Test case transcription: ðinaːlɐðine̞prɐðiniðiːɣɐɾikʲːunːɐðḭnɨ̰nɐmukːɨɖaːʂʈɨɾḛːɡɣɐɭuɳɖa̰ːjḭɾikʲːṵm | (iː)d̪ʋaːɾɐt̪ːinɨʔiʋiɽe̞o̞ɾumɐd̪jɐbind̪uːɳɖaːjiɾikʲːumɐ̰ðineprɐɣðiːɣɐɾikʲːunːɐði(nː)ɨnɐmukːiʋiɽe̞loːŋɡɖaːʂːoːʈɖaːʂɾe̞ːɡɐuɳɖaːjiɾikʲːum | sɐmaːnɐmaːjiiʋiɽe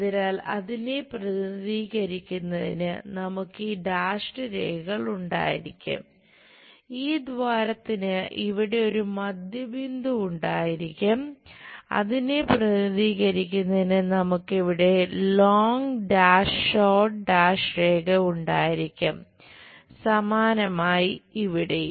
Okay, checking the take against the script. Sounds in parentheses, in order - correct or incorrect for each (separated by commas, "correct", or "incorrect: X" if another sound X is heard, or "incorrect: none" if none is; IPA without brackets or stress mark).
correct, incorrect: n